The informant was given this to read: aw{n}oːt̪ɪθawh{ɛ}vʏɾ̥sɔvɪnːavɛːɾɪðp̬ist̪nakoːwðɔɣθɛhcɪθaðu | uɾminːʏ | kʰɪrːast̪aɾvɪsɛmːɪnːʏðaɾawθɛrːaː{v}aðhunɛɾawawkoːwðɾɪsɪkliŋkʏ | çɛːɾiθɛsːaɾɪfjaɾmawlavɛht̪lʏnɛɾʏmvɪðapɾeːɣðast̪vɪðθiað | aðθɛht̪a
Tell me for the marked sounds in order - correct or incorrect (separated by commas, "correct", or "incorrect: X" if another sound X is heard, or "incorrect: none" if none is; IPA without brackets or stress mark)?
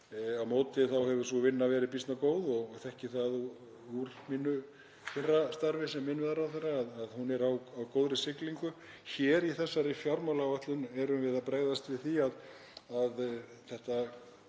incorrect: m, correct, incorrect: ð